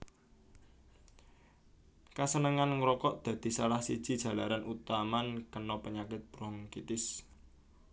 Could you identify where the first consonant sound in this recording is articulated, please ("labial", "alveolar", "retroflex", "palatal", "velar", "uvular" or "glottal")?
velar